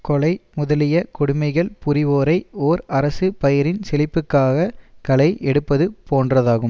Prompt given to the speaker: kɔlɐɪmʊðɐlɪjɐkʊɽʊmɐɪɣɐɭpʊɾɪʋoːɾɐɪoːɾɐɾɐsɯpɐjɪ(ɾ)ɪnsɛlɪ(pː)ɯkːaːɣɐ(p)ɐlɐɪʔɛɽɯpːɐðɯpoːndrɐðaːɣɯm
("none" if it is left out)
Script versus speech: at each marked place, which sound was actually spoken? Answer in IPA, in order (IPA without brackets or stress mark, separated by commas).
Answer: ɾ, pː, k